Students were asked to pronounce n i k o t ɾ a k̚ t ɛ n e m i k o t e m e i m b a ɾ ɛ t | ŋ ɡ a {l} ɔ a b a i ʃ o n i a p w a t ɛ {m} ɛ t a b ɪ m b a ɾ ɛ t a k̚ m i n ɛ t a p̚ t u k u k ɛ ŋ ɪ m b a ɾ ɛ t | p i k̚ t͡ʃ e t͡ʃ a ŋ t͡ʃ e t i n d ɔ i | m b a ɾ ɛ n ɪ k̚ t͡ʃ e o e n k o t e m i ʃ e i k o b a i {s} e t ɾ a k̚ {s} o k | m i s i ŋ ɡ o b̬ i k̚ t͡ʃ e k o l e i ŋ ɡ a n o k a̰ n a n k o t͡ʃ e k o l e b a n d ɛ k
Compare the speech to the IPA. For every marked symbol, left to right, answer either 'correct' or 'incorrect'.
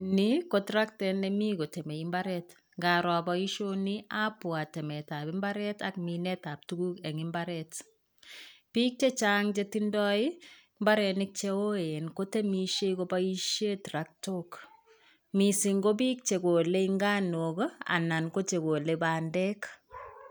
incorrect: ɾ, correct, incorrect: ʃ, incorrect: t

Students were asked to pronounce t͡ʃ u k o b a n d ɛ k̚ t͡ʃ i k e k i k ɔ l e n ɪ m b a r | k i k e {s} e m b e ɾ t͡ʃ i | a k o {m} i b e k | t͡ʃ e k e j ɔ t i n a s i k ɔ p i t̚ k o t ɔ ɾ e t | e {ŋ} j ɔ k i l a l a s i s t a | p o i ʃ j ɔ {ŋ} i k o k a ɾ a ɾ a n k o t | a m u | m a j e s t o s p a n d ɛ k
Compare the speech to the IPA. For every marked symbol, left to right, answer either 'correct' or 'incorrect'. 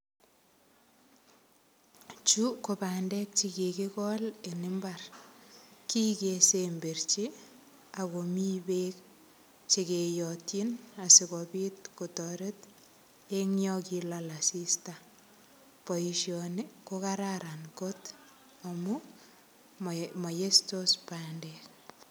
correct, correct, correct, incorrect: n

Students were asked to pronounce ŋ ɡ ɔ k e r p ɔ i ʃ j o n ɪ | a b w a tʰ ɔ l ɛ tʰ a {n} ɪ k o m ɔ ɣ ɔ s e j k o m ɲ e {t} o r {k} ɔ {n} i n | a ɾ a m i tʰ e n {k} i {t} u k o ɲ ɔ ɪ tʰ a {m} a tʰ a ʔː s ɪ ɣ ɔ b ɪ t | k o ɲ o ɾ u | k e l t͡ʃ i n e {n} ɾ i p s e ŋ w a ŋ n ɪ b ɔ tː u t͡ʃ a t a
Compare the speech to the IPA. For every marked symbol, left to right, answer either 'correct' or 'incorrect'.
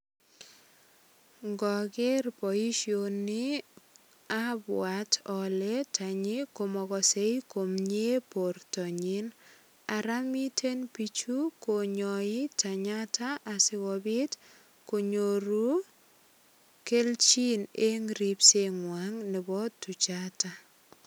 incorrect: ɲ, incorrect: p, incorrect: t, incorrect: ɲ, incorrect: p, incorrect: t͡ʃ, incorrect: ɲ, incorrect: ŋ

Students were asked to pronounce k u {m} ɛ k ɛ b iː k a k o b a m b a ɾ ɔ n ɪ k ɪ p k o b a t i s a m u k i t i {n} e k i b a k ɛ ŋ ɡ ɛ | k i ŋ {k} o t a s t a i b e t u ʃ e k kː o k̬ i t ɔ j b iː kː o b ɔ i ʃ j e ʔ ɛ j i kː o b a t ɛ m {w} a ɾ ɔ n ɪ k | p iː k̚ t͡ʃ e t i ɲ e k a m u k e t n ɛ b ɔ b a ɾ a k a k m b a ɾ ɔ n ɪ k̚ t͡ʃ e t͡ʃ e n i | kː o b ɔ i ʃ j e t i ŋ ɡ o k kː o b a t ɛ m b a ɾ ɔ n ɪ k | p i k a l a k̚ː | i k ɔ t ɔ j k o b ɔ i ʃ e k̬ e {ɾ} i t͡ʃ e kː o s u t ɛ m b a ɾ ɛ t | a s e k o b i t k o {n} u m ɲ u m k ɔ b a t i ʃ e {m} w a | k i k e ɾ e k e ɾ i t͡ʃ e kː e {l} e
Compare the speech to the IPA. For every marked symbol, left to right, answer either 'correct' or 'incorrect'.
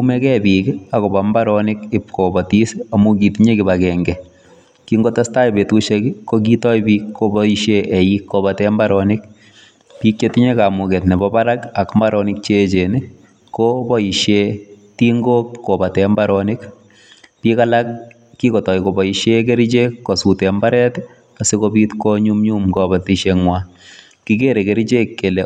correct, incorrect: ɲ, incorrect: ɡ, incorrect: b, correct, incorrect: ɲ, incorrect: ŋ, correct

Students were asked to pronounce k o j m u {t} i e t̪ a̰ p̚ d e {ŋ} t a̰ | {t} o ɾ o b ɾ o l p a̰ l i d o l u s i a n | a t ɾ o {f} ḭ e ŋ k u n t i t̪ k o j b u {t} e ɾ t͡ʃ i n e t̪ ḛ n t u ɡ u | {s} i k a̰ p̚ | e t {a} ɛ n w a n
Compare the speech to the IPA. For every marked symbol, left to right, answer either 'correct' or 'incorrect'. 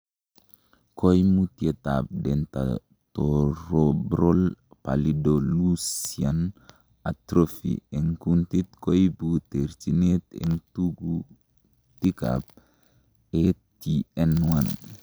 correct, incorrect: n, correct, correct, correct, incorrect: t, incorrect: i

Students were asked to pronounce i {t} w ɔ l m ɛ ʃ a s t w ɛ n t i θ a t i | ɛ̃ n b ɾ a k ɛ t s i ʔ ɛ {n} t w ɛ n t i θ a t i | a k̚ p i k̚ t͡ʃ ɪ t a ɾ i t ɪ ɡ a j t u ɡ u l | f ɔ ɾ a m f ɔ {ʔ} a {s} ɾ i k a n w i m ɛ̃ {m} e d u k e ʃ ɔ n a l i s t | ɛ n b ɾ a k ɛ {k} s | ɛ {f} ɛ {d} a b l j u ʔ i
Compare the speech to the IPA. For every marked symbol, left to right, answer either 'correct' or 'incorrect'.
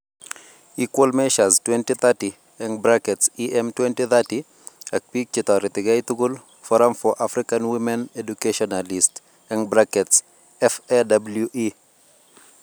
incorrect: k, incorrect: m, correct, incorrect: f, incorrect: n, incorrect: t, correct, correct

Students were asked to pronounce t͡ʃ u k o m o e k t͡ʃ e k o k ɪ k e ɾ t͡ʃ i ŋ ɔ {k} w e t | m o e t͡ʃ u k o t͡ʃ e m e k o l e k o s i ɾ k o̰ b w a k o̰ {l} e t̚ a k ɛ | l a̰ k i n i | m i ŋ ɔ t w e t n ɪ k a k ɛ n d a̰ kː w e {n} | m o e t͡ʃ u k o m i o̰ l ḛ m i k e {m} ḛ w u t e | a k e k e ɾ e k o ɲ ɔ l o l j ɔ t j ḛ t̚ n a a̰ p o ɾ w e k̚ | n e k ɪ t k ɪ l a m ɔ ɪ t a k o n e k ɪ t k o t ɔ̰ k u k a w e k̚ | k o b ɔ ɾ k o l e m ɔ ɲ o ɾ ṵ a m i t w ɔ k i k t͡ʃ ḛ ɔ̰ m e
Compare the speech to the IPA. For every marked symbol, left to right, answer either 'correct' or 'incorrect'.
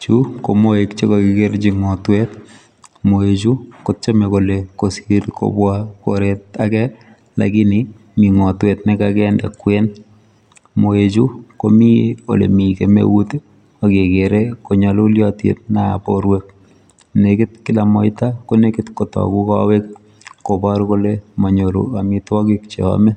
incorrect: t, incorrect: ɾ, correct, correct

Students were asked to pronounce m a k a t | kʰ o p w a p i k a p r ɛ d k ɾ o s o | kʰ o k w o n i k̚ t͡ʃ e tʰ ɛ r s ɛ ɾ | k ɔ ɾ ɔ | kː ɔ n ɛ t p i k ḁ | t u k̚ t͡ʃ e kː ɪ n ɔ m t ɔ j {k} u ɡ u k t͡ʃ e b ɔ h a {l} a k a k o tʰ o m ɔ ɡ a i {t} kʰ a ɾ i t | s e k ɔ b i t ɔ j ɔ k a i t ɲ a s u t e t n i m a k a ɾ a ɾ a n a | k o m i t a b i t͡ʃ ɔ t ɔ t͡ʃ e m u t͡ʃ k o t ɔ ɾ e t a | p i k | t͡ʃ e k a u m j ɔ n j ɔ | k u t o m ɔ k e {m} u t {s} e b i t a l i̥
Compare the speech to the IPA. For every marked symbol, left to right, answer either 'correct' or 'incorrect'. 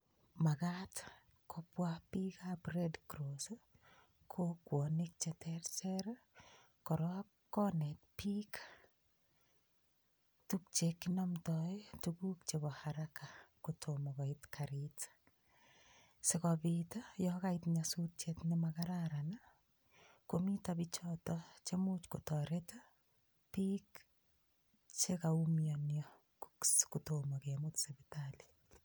incorrect: t, incorrect: ɾ, correct, correct, correct

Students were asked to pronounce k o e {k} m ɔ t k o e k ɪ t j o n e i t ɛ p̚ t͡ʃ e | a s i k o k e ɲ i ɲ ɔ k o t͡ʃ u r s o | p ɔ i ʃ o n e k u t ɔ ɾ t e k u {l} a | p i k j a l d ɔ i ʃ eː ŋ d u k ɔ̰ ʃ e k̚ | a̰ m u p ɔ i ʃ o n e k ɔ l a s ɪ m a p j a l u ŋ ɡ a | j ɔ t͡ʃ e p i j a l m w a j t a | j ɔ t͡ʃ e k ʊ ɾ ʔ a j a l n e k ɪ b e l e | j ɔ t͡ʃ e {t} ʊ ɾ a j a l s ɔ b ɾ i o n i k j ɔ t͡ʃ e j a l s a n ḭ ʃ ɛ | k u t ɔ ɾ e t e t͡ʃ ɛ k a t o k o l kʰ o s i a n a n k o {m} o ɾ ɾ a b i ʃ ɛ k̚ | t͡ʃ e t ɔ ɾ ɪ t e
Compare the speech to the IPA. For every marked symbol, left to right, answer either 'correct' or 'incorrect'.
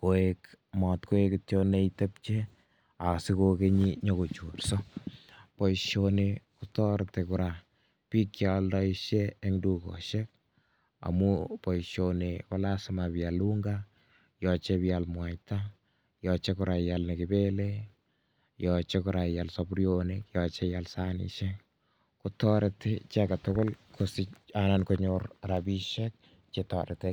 correct, incorrect: ɾ, incorrect: k, incorrect: ɲ

